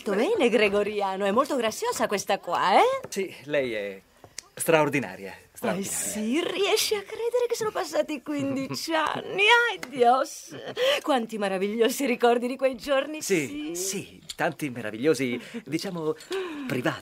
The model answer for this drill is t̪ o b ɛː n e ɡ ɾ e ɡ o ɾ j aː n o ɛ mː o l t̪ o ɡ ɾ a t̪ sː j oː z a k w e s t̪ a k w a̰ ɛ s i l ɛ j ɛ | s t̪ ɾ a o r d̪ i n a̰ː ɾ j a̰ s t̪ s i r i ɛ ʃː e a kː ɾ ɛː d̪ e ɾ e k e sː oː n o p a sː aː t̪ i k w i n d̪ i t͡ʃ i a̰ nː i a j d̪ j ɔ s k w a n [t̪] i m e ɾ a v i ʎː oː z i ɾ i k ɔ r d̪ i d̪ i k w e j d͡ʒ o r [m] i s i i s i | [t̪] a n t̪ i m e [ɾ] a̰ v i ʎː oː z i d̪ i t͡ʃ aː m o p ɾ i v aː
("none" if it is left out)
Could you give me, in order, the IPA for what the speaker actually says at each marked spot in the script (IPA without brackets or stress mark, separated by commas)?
t̪, n, t̪, ɾ